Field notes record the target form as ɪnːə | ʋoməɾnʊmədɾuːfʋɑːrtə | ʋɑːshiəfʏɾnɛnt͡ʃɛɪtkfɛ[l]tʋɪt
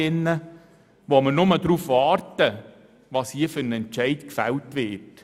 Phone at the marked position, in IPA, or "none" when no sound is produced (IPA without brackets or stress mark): l